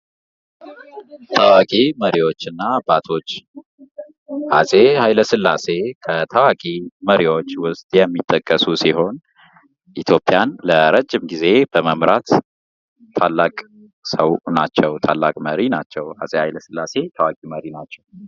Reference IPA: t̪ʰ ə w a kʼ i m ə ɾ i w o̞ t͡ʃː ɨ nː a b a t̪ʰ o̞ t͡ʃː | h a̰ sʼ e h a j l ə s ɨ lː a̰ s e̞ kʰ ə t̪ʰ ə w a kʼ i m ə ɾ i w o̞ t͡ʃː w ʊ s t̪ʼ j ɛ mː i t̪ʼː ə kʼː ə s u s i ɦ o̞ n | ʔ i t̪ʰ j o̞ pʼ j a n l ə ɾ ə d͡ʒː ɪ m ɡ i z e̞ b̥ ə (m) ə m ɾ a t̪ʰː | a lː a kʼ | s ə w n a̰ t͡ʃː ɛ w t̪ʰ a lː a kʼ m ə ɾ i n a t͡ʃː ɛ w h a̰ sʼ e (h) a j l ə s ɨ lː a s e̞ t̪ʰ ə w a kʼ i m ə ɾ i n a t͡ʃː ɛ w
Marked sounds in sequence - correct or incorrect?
correct, correct

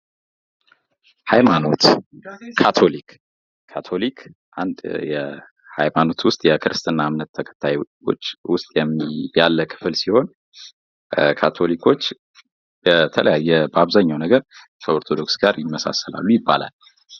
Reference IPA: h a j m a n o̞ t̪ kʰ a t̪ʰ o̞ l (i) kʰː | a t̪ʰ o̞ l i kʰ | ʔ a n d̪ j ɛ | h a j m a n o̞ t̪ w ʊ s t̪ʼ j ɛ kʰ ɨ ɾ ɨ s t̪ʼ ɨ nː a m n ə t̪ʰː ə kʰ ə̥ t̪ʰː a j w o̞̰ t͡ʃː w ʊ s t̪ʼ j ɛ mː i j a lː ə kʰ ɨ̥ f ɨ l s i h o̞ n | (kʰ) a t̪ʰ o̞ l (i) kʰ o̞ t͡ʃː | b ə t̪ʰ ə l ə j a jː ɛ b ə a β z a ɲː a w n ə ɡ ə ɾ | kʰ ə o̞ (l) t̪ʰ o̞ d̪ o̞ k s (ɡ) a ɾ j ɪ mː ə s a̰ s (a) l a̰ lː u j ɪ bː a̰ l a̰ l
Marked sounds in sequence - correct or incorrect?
correct, correct, correct, incorrect: ɾ, correct, incorrect: ə

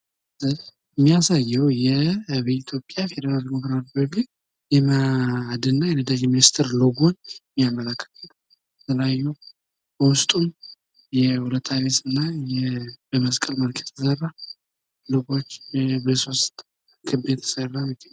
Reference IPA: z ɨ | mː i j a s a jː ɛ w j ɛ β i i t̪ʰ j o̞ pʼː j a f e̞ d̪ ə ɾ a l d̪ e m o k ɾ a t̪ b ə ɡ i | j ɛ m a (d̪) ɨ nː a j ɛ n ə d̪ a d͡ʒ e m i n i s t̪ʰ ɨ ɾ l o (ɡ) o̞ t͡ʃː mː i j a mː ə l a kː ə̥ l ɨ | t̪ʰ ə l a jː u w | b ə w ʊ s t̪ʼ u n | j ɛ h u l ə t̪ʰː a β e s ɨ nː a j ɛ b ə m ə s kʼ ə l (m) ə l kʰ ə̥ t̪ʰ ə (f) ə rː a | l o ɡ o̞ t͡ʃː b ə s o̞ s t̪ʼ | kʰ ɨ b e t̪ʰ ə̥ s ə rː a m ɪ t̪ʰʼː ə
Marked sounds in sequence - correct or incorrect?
correct, correct, correct, incorrect: s

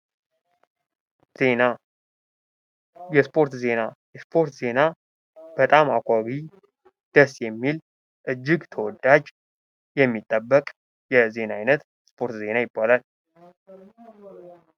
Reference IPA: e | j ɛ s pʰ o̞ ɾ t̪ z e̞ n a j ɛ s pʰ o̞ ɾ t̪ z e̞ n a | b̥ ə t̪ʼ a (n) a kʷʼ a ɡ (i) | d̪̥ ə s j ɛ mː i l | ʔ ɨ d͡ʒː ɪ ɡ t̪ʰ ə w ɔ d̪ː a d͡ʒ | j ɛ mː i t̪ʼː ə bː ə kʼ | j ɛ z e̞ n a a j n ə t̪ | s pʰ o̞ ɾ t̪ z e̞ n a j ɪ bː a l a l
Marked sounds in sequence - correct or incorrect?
incorrect: m, correct

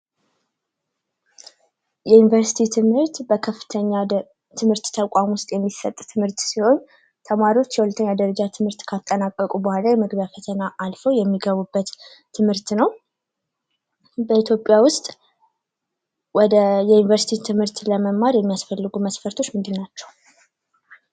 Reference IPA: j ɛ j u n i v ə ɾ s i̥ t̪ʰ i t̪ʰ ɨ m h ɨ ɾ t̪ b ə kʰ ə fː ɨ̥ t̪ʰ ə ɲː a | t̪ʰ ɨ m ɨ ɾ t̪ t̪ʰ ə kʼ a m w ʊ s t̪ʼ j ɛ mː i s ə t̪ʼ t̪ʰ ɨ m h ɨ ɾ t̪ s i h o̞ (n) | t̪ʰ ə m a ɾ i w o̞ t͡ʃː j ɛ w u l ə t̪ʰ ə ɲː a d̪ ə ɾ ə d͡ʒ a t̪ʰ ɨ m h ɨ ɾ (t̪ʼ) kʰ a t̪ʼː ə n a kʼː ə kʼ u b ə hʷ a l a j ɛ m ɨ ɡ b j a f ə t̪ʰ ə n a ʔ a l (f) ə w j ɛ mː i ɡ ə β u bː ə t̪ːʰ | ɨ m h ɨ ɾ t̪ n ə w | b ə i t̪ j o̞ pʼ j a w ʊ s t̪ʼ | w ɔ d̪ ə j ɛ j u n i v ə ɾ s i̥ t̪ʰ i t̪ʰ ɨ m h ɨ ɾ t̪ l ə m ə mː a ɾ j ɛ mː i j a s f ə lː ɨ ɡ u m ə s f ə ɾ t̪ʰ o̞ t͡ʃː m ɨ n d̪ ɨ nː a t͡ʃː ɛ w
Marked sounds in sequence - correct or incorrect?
incorrect: ɲ, incorrect: t̪, correct

